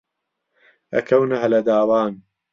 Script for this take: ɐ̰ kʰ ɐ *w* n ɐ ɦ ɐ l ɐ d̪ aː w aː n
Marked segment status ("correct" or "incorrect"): correct